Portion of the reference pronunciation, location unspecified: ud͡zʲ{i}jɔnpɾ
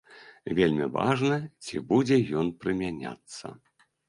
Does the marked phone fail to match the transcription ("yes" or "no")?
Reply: yes